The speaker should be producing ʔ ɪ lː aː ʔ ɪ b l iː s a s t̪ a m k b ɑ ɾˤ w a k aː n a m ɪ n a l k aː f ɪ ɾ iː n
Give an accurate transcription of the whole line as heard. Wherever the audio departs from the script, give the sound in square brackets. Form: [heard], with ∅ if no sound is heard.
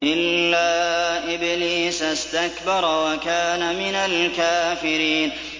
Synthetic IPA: ʔ ɪ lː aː ʔ ɪ b l iː s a s t̪ a [∅] k b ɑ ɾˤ w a k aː n a m ɪ n a l k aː f ɪ ɾ iː n